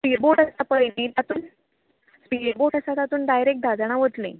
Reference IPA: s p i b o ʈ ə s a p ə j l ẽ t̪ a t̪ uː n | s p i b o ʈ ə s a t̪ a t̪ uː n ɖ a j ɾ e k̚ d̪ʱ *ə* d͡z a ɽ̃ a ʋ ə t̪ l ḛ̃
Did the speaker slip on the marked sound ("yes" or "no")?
yes